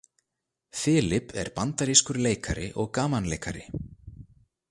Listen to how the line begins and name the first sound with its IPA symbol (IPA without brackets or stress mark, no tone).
f